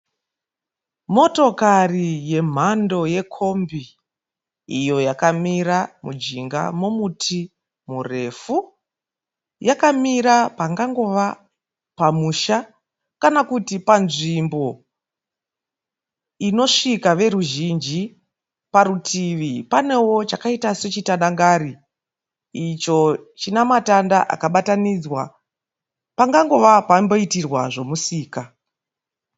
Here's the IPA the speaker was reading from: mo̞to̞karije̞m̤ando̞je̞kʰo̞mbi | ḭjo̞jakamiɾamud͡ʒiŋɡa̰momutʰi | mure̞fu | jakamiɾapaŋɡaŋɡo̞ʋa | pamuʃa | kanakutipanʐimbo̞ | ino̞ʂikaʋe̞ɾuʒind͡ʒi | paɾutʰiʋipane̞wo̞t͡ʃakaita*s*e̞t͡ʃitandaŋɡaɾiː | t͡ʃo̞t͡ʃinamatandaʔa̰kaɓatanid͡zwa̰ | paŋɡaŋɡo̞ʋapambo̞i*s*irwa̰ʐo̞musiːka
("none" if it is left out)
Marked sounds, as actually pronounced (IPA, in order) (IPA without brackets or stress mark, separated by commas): s, t